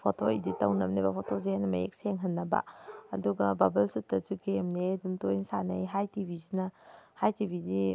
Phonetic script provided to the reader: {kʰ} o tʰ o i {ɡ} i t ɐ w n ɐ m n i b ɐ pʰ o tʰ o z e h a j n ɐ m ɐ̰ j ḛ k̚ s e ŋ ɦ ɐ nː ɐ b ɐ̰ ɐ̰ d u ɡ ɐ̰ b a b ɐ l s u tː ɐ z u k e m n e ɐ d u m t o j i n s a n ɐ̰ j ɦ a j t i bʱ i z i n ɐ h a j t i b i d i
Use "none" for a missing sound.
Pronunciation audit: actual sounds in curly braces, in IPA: pʰ, d

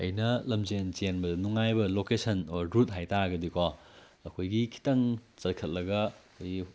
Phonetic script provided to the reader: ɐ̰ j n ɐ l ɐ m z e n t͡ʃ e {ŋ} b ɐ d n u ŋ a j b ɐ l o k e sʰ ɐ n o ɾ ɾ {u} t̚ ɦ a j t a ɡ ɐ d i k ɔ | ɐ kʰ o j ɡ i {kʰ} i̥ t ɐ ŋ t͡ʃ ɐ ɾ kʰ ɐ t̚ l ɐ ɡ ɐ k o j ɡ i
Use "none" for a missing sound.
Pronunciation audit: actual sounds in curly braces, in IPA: n, u, kʰ

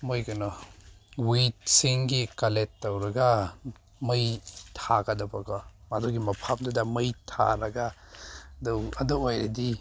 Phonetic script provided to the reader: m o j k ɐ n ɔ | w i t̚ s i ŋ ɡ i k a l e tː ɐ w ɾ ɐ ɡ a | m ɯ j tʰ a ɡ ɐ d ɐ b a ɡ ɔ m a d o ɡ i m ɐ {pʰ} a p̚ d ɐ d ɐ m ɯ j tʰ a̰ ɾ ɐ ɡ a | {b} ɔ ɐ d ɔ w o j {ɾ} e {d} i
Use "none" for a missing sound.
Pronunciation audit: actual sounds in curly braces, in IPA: pʰ, d, ɾ, d

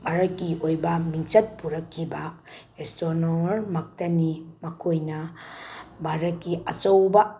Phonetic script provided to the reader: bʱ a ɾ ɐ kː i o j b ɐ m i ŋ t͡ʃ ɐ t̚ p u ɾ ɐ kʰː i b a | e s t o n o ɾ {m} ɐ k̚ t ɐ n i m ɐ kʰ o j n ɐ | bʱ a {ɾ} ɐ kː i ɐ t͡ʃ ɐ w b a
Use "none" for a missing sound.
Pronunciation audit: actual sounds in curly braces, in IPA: m, ɾ

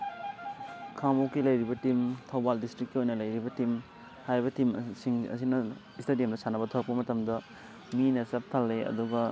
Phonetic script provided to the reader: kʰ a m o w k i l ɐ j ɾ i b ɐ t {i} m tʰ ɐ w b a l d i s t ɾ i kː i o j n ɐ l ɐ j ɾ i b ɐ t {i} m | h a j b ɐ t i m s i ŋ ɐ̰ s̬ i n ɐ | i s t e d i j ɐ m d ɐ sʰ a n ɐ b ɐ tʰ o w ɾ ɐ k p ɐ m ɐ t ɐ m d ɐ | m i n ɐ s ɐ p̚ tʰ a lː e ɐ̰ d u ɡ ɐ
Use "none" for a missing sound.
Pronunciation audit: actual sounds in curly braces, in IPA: i, i

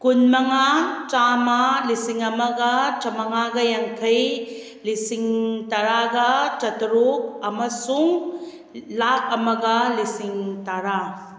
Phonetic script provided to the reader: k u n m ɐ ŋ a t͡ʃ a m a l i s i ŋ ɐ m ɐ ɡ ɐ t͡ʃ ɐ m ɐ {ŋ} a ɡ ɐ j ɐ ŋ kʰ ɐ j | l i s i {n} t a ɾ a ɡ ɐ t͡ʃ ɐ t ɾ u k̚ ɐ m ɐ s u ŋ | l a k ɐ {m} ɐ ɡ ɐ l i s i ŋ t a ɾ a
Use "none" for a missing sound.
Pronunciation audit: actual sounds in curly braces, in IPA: ŋ, ŋ, m

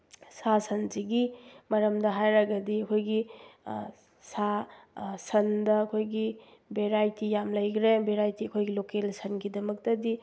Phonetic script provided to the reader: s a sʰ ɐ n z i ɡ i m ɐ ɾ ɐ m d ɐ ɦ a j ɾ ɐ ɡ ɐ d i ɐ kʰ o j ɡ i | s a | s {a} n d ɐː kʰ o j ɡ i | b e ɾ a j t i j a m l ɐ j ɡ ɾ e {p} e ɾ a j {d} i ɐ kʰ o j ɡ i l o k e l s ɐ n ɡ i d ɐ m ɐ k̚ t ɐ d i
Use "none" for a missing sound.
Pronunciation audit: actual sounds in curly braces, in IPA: ɐ, b, t

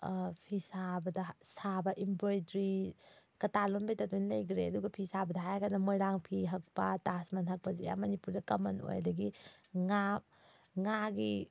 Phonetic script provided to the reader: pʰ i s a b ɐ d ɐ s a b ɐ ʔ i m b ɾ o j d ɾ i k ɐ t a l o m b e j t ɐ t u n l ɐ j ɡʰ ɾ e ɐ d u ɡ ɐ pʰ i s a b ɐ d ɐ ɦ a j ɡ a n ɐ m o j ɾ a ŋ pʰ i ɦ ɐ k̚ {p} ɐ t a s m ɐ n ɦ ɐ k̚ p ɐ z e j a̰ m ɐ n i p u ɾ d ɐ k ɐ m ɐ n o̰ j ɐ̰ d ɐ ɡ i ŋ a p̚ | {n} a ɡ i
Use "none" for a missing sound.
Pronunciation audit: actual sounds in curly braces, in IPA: p, ŋ

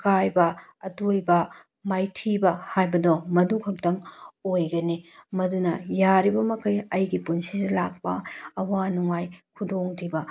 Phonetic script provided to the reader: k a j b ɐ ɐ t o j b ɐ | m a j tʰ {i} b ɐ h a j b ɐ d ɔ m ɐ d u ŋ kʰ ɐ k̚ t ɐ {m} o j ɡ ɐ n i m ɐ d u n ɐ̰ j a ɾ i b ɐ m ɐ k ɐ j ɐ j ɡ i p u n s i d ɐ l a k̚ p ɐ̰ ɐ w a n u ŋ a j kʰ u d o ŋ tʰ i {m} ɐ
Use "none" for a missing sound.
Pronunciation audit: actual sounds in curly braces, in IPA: i, ŋ, b

